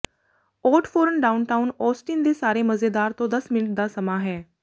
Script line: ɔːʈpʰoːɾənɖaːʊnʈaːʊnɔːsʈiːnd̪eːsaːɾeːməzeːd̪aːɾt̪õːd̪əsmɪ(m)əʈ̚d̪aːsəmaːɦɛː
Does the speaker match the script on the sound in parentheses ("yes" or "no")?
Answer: no